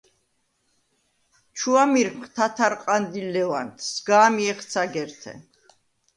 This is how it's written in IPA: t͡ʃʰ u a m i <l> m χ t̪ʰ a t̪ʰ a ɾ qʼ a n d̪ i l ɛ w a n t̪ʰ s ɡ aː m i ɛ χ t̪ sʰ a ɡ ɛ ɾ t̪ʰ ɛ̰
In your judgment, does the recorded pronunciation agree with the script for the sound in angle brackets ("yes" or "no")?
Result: no